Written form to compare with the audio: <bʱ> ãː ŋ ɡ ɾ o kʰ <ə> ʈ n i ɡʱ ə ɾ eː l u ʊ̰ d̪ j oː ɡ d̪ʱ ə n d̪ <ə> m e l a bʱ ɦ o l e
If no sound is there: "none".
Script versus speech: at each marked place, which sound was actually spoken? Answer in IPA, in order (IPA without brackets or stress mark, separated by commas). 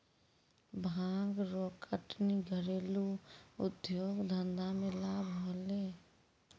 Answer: bʱ, ə, a